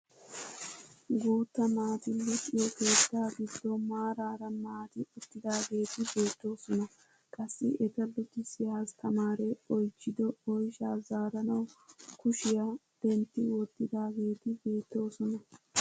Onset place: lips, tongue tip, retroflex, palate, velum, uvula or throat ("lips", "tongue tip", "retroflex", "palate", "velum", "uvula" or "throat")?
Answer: velum